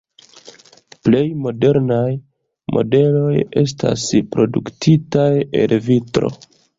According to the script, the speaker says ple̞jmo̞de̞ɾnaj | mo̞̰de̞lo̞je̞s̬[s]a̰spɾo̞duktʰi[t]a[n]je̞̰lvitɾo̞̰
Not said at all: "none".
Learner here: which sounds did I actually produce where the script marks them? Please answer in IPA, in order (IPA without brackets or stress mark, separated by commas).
t, t, none